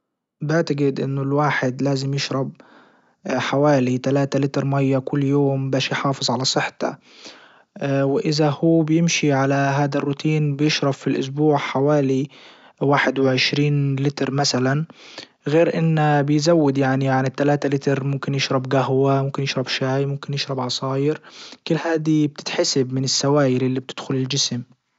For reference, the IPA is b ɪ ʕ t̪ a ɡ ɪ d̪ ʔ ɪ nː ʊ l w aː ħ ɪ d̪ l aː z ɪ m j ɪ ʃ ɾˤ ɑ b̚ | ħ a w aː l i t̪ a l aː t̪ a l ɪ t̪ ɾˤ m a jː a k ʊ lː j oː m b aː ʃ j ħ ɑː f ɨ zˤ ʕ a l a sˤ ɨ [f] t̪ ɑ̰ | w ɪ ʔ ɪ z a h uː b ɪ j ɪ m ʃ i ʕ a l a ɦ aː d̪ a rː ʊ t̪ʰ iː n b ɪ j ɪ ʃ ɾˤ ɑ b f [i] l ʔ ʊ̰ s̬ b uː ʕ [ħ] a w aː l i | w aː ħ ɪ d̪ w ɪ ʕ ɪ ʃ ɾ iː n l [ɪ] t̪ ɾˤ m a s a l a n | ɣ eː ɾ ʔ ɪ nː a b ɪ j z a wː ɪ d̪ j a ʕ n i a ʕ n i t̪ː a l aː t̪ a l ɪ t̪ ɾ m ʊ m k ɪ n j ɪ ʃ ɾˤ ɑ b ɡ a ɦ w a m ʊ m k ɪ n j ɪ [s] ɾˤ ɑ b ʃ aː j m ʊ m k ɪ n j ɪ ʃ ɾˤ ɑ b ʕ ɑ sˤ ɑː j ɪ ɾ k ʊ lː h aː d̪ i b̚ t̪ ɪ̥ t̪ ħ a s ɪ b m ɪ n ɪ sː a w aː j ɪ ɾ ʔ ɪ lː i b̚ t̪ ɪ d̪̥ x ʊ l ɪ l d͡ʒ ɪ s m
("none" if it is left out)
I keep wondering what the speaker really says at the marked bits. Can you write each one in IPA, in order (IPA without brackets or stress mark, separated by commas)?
ħ, i, ħ, ɪ, ʃ